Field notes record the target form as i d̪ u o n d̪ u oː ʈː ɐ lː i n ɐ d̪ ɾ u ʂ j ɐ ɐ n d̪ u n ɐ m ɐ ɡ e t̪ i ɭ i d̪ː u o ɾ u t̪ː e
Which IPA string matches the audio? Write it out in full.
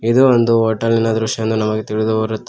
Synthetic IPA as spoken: i d̪ u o n d̪ u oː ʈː ɐ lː i n ɐ d̪ ɾ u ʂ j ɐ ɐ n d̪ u n ɐ m ɐ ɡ e t̪ i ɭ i d̪ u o ɾ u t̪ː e